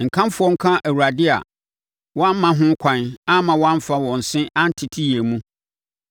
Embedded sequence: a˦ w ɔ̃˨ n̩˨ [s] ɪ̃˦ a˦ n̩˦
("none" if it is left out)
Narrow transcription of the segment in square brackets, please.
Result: s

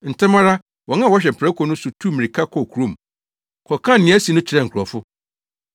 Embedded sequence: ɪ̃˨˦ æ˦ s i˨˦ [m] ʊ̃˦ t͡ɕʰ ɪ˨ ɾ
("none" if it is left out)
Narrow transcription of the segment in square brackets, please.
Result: n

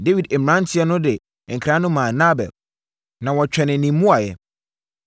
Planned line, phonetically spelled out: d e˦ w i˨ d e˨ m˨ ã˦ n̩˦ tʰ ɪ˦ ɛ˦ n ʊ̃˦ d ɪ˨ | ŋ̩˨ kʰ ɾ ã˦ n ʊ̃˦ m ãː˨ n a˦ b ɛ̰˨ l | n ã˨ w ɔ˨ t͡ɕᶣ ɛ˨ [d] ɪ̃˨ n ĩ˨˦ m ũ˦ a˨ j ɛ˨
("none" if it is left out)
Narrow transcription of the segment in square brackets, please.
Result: n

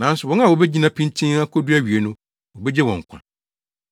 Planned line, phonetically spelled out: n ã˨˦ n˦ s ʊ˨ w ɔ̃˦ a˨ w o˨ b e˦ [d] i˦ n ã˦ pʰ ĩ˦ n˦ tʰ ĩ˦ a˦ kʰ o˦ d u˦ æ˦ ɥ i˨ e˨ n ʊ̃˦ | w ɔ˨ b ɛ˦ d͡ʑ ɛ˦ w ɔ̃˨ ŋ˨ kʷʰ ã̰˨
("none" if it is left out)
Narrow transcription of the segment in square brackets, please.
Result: d͡ʑ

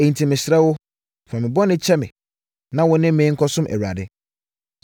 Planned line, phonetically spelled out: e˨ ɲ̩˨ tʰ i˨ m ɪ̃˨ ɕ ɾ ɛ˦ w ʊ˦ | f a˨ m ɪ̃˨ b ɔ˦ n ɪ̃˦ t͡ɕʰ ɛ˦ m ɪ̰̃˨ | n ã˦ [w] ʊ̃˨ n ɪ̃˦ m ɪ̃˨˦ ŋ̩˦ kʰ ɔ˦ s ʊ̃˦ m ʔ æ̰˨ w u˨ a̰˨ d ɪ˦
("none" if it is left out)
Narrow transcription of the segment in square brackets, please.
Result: w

